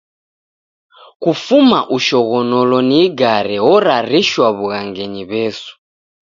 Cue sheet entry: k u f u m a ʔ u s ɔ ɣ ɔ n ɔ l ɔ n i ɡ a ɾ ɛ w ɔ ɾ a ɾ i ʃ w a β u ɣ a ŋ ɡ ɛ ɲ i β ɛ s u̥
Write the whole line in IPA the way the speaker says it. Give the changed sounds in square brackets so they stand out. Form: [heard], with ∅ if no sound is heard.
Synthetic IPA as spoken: k u f u m a ʔ u [ʃ] ɔ ɣ ɔ n ɔ l ɔ n i ɡ a ɾ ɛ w ɔ ɾ a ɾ i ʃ w a β u ɣ a ŋ ɡ ɛ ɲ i β ɛ s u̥